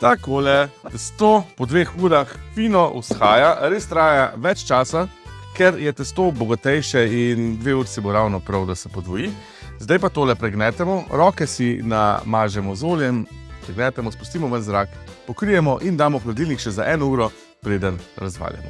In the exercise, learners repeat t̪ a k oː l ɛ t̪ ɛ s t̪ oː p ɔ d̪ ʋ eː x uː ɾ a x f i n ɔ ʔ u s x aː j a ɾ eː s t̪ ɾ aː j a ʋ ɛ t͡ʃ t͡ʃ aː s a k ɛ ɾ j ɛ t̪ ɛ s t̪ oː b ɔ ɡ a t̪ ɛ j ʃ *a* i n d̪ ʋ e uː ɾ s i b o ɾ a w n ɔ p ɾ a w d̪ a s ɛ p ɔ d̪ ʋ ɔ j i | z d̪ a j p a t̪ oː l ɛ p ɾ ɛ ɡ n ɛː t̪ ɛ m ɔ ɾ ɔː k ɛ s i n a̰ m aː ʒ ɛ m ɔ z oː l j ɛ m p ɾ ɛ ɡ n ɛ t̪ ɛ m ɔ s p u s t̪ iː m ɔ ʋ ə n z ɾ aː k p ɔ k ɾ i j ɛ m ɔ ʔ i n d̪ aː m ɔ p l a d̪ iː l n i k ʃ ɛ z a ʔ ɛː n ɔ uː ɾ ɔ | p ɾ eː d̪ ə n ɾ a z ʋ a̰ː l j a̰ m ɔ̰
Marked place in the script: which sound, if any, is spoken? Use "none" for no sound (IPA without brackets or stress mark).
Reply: ɛ